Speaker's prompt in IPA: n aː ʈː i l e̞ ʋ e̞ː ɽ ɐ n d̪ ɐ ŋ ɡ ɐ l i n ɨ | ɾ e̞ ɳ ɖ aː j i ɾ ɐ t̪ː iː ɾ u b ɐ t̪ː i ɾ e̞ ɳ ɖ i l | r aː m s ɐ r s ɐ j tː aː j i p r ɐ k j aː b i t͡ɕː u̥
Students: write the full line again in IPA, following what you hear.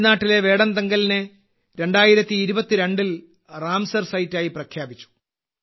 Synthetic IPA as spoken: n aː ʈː i l e̞ ʋ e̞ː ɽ ɐ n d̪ ɐ ŋ ɡ ɐ l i n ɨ | ɾ e̞ ɳ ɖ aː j i ɾ ɐ t̪ː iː ɾ u b ɐ t̪ː i ɾ e̞ ɳ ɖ i l | r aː m s ɐ r s ɐ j tː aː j i p r ɐ kʰ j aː b i t͡ɕː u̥